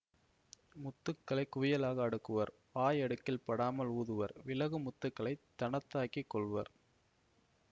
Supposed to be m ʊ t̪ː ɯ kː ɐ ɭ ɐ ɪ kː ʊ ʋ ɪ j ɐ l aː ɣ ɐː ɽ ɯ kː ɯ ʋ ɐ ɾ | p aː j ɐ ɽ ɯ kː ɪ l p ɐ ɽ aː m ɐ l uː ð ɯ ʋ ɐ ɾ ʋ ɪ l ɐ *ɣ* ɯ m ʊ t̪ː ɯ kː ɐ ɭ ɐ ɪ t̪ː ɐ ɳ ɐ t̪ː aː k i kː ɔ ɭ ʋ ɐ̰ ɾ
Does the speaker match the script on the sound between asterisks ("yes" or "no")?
yes